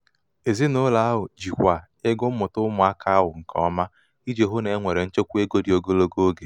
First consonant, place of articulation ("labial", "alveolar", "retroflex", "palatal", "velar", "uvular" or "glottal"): alveolar